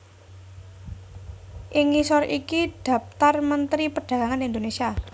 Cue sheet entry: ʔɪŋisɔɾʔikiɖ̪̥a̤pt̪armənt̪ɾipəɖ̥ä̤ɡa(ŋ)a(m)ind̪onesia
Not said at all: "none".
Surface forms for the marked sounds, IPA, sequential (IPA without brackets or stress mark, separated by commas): ŋ, n